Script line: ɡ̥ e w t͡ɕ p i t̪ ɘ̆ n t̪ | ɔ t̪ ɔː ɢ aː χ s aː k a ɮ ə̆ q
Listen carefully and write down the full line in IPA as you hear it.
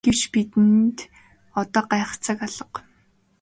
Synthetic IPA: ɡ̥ e w t͡ɕ p i t̪ ɘ̆ n t̪ | ɔ t̪ ɔː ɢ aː χ t͡s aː k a ɮ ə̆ q

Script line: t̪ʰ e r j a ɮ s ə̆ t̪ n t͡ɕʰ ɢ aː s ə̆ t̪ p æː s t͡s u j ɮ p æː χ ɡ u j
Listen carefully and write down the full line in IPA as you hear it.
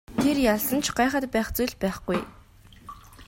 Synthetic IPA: t̪ʰ e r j a ɮ s ə̆ n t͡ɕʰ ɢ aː χ ə̆ t̪ p æː χ t͡s u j ɮ p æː χ ɡ u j

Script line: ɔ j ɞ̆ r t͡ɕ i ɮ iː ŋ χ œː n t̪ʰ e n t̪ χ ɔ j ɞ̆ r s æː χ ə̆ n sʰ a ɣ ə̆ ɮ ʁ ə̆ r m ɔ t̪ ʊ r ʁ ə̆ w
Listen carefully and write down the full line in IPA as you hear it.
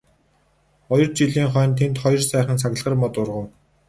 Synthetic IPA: ɔ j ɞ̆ r t͡ɕ i ɮ iː ŋ χ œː n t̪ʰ e n t̪ χ ɔ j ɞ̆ r s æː χ ə̆ n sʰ a ɣ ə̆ ɮ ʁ ə̆ r m ɔ t̪ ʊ r ʁ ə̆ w

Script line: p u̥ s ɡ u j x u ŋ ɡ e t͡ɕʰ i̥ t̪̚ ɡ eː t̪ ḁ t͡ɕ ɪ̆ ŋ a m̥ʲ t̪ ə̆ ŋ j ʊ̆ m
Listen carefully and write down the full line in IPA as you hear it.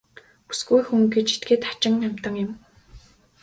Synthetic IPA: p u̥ s ɡ u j x u ŋ ɡ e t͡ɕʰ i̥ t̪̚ ɡ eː t̪ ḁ t͡ɕ ɪ̆ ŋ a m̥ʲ t̪ ə̆ ŋ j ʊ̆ m

